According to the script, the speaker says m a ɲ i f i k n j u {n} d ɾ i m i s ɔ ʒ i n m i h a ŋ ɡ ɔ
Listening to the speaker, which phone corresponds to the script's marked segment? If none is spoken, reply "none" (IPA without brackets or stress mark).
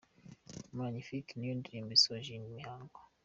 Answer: n